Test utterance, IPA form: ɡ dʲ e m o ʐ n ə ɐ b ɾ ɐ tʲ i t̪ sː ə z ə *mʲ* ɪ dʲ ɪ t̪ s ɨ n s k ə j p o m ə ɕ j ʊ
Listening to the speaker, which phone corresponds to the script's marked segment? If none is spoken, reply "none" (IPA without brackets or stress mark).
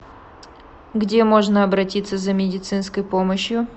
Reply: mʲ